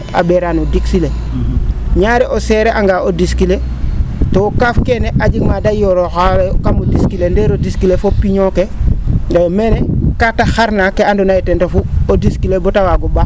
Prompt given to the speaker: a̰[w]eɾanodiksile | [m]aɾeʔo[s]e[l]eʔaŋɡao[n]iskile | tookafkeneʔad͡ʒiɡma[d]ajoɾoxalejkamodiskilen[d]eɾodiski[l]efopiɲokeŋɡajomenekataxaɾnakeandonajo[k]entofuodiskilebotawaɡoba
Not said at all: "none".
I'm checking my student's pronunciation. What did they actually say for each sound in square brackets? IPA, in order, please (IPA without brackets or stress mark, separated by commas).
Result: b, ɲ, s, ɾ, d, d, d, l, t